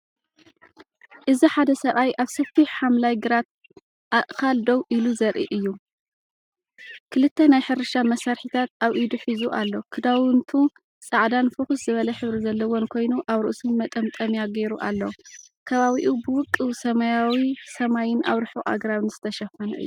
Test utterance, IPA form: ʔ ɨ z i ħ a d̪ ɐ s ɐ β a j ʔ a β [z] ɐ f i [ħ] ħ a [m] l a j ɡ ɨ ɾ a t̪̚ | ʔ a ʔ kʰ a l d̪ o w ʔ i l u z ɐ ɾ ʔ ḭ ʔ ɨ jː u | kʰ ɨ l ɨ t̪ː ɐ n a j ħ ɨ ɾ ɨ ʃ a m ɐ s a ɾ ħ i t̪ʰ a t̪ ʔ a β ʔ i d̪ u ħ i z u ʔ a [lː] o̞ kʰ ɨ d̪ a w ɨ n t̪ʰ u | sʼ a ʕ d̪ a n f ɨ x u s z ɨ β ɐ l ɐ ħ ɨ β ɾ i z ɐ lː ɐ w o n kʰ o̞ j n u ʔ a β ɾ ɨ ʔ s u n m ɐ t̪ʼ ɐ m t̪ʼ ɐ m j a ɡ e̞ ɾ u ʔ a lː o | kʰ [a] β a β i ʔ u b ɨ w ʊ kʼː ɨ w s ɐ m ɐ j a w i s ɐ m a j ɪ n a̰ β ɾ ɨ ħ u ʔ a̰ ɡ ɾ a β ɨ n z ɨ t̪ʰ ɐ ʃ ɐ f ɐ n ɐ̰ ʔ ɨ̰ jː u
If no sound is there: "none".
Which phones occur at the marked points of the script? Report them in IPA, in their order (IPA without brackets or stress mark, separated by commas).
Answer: s, ħ, m, lː, ɐ